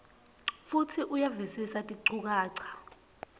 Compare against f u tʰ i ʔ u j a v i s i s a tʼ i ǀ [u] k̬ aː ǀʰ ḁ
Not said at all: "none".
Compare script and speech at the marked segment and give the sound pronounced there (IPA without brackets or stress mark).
u